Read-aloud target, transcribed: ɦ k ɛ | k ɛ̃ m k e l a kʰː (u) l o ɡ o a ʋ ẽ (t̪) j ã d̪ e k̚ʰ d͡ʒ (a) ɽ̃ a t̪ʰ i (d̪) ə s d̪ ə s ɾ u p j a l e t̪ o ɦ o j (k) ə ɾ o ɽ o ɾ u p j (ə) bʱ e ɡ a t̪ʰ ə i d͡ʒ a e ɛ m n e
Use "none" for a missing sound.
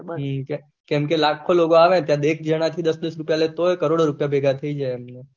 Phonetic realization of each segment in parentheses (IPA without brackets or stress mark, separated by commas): o, t̪, ə, d̪, k, a